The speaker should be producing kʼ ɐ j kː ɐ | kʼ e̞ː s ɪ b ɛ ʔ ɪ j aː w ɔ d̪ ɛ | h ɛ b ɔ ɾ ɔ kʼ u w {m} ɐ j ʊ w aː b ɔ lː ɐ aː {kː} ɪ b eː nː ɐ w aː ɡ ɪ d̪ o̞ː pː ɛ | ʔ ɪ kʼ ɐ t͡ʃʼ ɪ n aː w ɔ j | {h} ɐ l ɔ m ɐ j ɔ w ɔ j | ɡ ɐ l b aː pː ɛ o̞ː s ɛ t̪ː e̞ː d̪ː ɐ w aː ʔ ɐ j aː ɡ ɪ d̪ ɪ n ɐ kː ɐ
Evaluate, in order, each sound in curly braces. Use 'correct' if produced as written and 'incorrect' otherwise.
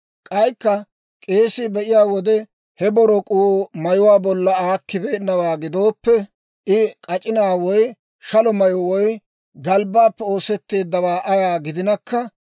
correct, correct, incorrect: ʃ

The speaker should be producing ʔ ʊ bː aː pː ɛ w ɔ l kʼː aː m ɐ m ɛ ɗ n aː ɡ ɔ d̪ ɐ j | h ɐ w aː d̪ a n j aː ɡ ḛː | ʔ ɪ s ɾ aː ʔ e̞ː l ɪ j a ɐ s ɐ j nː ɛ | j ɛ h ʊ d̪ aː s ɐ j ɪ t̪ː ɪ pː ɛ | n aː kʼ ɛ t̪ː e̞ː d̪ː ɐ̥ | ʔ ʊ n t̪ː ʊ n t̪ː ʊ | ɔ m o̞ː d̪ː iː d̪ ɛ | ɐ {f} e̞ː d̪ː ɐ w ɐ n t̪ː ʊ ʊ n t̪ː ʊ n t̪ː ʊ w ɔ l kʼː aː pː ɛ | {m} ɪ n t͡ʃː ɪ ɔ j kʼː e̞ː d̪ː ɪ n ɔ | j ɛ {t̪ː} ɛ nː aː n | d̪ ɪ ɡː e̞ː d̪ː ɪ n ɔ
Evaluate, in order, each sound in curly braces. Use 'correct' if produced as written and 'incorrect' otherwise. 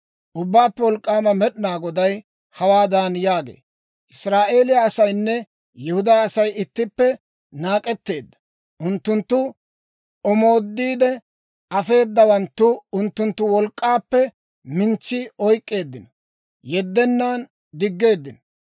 correct, correct, incorrect: d̪ː

